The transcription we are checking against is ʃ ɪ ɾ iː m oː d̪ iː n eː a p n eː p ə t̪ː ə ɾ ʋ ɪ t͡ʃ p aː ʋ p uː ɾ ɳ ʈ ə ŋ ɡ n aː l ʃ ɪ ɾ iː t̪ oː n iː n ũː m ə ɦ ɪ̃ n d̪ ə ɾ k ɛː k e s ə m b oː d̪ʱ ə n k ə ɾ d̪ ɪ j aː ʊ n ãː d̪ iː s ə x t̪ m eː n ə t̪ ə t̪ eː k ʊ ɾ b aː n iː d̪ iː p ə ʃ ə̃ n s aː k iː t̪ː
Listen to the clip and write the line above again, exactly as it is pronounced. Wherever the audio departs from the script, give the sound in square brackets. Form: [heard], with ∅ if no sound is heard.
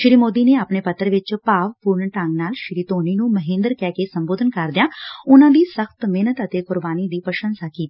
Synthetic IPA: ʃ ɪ ɾ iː m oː d̪ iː n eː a p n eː p ə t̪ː ə ɾ ʋ ɪ t͡ʃ p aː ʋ p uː ɾ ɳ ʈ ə ŋ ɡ n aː l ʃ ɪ ɾ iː t̪ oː n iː n ũː m ə ɦ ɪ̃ n d̪ ə ɾ k ɛː k e s ə m b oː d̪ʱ ə n k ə ɾ d̪ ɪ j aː ʊ n ãː d̪ iː s ə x t̪ m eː n ə t̪ ə t̪ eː k ʊ ɾ b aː n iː d̪ iː p ə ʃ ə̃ n s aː k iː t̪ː